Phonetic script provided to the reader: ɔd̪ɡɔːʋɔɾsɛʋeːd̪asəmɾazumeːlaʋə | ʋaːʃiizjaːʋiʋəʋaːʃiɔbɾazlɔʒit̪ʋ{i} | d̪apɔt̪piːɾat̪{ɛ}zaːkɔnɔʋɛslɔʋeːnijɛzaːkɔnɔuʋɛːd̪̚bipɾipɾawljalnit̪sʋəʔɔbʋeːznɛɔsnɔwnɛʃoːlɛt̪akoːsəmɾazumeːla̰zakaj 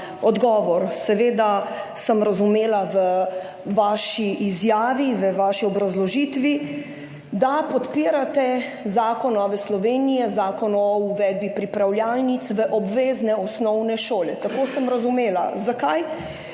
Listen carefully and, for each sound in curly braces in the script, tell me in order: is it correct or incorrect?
correct, correct

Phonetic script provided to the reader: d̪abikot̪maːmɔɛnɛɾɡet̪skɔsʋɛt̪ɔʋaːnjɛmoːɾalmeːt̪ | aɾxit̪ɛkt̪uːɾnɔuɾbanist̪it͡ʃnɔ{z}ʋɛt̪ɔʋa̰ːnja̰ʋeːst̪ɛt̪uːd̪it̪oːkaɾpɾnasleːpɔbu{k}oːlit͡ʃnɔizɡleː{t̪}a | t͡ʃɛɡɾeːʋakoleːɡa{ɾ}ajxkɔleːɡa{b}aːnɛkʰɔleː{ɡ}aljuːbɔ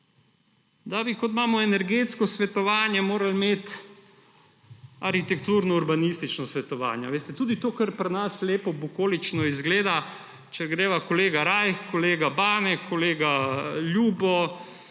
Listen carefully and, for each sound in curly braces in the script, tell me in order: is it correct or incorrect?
incorrect: s, correct, incorrect: d̪, correct, correct, correct

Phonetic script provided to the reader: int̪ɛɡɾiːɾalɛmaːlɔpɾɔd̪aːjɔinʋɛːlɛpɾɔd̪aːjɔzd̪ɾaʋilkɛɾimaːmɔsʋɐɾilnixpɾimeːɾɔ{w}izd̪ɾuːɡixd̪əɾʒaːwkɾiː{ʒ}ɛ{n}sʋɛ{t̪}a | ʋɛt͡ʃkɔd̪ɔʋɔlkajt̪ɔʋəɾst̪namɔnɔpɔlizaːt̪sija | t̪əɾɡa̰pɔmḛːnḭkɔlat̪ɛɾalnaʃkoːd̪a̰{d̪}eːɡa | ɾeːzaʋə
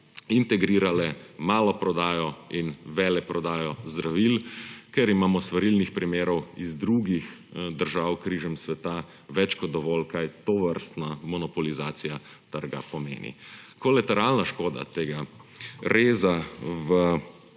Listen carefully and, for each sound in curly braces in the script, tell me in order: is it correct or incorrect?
correct, correct, incorrect: m, correct, incorrect: t̪

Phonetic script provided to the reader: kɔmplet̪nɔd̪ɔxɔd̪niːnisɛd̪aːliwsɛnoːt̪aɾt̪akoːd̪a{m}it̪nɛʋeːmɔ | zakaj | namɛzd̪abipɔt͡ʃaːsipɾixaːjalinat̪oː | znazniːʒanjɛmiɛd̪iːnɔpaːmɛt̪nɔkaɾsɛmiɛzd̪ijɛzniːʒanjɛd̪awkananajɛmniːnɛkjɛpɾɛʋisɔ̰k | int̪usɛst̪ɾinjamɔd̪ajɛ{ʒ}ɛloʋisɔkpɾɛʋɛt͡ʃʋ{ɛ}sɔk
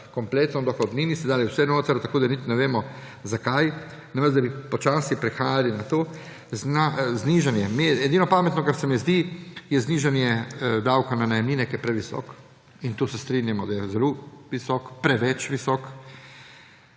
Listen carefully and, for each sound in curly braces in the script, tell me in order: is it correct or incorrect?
incorrect: n, incorrect: z, incorrect: i

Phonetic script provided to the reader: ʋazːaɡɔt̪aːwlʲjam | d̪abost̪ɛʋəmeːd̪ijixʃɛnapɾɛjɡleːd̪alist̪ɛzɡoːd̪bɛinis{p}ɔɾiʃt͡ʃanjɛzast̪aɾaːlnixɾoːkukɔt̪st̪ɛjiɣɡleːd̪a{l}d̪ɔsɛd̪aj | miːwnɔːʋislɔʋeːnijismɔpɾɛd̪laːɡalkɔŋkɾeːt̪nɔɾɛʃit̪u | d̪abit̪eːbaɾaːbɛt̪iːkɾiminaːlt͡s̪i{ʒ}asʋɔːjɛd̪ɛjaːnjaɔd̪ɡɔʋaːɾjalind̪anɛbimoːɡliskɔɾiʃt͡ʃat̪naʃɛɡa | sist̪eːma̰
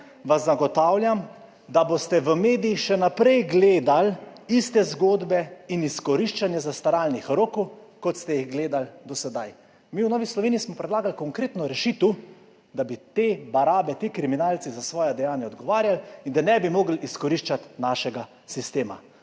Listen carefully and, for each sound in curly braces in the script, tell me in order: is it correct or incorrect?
incorrect: k, correct, incorrect: z

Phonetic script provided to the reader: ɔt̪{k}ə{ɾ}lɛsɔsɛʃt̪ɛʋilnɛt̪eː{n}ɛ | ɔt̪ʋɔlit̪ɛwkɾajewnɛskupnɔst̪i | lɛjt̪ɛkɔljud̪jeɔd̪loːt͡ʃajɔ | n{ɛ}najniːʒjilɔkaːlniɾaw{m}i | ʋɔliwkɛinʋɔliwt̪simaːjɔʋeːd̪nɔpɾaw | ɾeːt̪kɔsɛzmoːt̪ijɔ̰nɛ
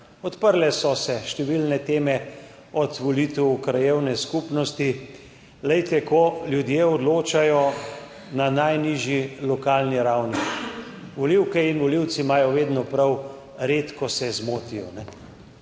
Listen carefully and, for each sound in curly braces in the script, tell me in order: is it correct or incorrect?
incorrect: p, correct, incorrect: m, incorrect: a, incorrect: n

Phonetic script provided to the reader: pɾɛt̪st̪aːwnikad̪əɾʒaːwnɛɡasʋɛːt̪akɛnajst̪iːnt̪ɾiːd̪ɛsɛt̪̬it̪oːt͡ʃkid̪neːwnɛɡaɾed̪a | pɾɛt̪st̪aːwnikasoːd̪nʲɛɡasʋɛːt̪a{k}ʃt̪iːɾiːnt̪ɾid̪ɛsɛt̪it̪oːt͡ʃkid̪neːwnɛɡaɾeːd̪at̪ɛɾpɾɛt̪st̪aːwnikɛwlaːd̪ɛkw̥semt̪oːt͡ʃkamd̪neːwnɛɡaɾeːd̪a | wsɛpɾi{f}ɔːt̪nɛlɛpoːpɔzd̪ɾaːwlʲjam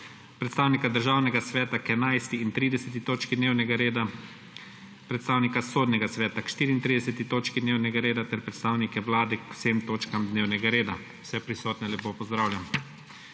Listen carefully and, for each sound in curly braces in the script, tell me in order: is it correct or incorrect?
correct, incorrect: s

